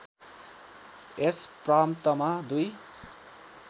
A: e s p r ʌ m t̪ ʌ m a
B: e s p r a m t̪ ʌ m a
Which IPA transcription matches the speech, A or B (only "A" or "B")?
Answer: B